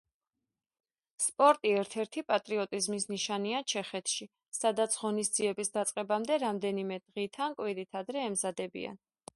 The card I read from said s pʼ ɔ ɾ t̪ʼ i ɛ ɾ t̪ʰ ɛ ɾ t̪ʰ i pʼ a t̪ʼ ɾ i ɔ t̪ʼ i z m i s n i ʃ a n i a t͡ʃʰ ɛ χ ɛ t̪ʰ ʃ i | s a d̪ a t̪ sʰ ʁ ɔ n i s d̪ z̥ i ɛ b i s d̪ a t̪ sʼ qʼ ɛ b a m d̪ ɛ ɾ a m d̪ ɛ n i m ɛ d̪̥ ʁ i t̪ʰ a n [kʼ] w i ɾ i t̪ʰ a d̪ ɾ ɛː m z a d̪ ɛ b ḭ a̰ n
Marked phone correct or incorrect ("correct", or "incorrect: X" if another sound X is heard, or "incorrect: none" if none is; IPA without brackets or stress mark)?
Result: correct